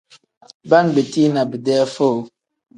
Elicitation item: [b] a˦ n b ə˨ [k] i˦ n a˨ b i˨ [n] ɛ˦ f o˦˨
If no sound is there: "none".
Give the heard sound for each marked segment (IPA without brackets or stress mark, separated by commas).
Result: b, t, d